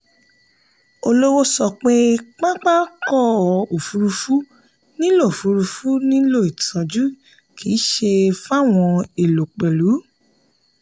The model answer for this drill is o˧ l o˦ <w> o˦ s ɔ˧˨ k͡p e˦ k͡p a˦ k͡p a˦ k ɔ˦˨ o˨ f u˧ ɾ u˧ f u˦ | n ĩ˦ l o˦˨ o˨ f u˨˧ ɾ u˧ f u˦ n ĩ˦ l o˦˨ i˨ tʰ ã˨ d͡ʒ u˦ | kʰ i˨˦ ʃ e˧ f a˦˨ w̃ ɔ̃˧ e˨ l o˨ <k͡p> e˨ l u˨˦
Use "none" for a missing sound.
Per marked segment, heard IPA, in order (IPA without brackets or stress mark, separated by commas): w, k͡p